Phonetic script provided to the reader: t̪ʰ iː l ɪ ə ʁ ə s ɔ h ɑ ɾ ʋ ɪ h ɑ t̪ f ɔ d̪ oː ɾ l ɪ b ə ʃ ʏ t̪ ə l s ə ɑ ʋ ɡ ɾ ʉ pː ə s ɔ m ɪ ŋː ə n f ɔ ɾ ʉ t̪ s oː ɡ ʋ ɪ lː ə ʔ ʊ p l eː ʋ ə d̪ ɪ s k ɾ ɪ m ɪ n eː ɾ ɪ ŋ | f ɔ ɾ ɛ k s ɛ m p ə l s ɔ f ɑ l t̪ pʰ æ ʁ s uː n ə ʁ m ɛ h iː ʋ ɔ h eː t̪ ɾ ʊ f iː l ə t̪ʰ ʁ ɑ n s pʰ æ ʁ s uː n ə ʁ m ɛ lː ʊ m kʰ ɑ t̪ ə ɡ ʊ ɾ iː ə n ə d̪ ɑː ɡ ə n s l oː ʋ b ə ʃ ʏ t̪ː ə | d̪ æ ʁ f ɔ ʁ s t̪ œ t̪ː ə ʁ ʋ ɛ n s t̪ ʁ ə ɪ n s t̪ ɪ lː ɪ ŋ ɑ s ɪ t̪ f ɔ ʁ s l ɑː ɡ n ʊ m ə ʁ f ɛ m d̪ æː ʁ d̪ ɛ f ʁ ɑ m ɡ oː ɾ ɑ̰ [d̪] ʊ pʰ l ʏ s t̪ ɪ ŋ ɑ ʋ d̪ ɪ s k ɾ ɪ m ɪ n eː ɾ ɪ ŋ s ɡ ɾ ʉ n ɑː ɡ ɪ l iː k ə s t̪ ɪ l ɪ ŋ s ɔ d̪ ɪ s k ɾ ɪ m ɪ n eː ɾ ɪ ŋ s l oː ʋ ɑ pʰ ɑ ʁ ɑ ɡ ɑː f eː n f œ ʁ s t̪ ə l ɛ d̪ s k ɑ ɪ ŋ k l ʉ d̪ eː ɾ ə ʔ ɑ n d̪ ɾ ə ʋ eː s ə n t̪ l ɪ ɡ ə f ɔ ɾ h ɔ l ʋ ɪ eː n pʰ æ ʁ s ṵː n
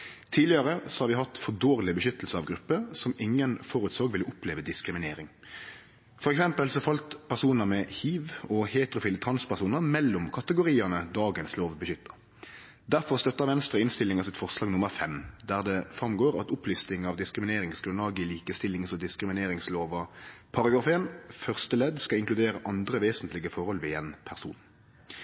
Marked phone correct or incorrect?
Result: incorrect: t̪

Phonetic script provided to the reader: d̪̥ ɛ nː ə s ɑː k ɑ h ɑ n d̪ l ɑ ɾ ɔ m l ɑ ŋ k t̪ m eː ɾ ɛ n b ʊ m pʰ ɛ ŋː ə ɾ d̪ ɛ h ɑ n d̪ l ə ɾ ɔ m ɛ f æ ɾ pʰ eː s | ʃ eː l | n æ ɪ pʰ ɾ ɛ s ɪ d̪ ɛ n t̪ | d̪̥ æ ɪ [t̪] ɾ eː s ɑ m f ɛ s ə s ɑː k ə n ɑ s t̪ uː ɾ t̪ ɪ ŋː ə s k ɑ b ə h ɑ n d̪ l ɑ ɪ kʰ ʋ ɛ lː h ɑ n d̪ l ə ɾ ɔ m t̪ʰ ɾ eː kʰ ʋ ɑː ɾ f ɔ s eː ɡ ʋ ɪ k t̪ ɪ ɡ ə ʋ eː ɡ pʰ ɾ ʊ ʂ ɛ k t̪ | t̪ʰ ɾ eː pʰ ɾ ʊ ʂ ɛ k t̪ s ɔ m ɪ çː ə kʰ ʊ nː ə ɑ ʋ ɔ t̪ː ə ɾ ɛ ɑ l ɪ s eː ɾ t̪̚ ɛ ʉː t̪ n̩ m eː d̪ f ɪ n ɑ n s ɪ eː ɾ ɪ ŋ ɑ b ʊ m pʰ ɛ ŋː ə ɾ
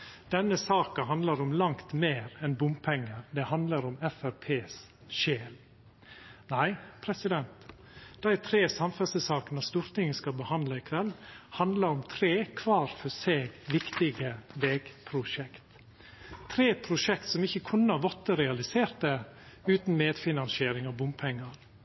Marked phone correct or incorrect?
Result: incorrect: t̪ʰ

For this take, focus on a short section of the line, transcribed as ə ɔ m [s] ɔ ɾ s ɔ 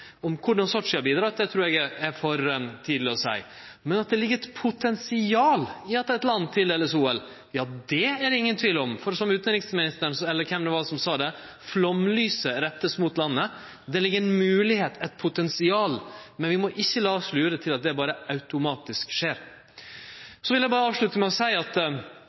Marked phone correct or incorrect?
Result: incorrect: f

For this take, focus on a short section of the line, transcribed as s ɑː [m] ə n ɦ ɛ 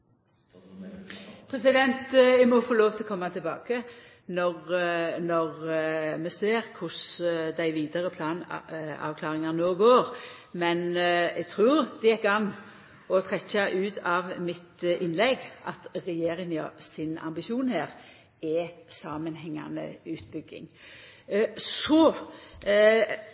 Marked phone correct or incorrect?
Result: correct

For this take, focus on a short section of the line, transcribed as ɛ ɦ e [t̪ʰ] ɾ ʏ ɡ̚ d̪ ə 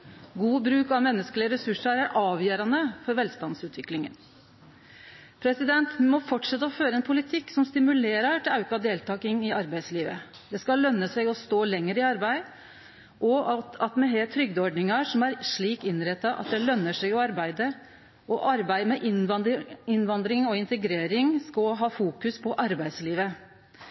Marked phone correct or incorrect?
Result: correct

